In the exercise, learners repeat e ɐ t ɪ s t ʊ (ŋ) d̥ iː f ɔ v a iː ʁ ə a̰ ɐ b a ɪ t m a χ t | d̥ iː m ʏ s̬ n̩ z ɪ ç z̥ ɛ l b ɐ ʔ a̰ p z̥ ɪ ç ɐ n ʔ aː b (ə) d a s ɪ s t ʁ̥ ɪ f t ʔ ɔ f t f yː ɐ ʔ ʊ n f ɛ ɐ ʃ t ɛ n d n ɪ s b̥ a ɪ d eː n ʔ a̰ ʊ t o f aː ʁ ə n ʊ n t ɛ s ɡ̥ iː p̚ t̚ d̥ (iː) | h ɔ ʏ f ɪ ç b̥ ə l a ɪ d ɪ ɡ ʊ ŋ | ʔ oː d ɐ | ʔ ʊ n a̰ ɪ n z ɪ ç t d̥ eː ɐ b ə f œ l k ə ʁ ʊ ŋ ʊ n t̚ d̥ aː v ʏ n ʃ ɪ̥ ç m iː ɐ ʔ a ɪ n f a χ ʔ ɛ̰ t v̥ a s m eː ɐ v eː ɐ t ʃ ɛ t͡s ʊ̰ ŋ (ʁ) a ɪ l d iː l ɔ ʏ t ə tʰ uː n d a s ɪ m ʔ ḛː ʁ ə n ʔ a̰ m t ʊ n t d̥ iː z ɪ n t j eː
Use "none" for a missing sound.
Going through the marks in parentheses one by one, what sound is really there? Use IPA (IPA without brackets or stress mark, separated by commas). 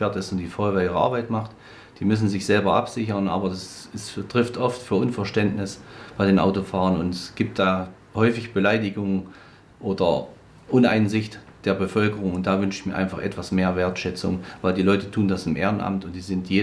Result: n, ɐ, aː, v